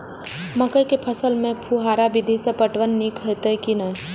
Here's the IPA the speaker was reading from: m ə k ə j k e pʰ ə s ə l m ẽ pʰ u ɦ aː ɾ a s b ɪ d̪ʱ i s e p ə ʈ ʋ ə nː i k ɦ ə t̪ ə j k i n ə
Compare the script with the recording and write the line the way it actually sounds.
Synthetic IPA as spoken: m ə k ə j k e pʰ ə s ə l m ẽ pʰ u ɦ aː ɾ a b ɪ d̪ʱ i s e p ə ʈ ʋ ə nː i k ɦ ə t̪ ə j k i n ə

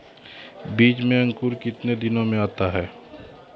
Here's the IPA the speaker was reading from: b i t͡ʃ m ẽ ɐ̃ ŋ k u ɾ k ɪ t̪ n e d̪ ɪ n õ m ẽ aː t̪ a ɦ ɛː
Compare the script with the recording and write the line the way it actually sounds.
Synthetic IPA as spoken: b iː t͡ʃ m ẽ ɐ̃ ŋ k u ɾ k ɪ t̪ n e d̪ ɪ n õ m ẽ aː t̪ a ɦ ɛː

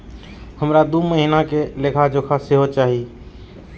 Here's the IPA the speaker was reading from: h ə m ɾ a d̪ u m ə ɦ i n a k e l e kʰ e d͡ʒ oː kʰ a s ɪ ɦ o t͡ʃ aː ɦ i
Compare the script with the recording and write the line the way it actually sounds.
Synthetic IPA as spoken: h ə m ɾ a d̪ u m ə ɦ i n a k e l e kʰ a d͡ʒ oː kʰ a s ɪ ɦ o t͡ʃ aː ɦ i

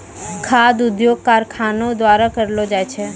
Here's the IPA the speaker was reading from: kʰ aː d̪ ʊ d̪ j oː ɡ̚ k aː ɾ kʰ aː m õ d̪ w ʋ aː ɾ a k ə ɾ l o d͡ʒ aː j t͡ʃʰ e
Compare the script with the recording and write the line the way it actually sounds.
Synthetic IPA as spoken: kʰ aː d̪ ʊ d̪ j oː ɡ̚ k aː ɾ kʰ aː n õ d̪ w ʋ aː ɾ a k ə ɾ l o d͡ʒ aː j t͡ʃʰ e

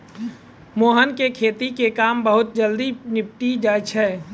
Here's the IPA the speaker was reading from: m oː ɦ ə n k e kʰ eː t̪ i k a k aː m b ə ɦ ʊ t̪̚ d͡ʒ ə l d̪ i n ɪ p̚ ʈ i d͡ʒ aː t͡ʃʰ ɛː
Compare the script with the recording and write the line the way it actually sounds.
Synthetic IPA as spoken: m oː ɦ ə n k e kʰ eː t̪ i k e k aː m b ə ɦ ʊ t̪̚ d͡ʒ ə l d̪ i n ɪ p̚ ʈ i d͡ʒ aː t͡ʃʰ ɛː

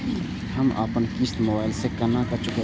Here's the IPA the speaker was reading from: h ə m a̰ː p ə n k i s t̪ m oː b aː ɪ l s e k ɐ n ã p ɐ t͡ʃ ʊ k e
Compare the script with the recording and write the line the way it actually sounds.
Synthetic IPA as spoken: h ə m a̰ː p ə n k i s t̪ m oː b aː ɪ l s e k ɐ n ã k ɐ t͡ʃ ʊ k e

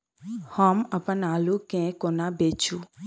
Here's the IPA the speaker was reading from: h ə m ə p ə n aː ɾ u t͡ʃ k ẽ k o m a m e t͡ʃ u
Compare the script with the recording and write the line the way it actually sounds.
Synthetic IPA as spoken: h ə m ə p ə n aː l u k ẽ k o n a b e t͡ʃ u

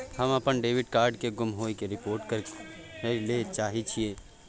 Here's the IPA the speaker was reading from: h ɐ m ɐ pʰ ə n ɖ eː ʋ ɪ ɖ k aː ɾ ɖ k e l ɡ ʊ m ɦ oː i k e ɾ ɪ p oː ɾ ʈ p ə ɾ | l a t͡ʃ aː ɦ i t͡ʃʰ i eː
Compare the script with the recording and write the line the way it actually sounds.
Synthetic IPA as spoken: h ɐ m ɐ p ə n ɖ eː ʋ ɪ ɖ k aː ɾ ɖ k e ɡ ʊ m ɦ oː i k e ɾ ɪ p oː ɾ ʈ k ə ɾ | l e t͡ʃ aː ɦ i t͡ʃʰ i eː

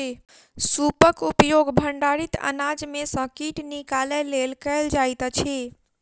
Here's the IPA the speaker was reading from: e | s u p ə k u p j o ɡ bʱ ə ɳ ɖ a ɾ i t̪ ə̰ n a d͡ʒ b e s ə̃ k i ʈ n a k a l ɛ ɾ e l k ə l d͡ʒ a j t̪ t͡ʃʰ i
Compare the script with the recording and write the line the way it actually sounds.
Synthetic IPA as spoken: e | s u p ə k u p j o ɡ bʱ ə ɳ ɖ a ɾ i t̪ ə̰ n a d͡ʒ m e s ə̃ k i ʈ n i k a l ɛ l e l k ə l d͡ʒ a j t̪ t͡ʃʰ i

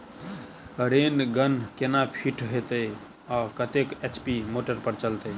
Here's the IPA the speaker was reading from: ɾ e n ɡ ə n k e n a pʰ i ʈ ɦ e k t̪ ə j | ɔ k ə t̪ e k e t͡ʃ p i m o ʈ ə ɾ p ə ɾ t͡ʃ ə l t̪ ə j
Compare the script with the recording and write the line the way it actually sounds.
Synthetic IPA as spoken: ɾ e n ɡ ə n k e n a pʰ i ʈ ɦ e t̪ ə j | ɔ k ə t̪ e k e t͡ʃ p i m o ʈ ə ɾ p ə ɾ t͡ʃ ə l t̪ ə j

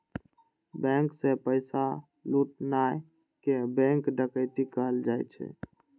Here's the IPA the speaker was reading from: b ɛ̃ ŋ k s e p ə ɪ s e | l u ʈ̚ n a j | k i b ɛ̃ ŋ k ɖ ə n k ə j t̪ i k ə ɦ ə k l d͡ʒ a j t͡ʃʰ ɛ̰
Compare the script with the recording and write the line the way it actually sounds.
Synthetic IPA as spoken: b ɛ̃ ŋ k s e p ə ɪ s a | l u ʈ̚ n a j | k e b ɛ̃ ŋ k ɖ ə k ə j t̪ i k ə ɦ ə l d͡ʒ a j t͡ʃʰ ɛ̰

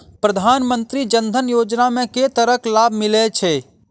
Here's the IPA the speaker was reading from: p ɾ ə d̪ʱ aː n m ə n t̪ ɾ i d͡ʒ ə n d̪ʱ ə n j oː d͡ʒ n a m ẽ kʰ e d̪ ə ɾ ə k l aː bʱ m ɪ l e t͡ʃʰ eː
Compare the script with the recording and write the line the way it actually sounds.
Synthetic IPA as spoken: p ɾ ə d̪ʱ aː n m ə n t̪ ɾ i d͡ʒ ə n d̪ʱ ə n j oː d͡ʒ n a m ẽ k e t̪ ə ɾ ə k l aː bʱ m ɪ l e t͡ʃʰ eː

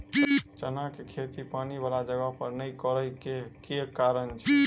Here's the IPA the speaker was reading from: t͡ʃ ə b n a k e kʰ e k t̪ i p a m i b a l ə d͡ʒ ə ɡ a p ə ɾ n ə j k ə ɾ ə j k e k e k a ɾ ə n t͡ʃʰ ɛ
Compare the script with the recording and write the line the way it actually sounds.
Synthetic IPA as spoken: t͡ʃ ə n a k e kʰ e t̪ i p a n i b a l a d͡ʒ ə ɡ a p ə ɾ n ə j k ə ɾ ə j k e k e k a ɾ ə n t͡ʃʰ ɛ

